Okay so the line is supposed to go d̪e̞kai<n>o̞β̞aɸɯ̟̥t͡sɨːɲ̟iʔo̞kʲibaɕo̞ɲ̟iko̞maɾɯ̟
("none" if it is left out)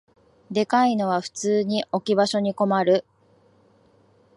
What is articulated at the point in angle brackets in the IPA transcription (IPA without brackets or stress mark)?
n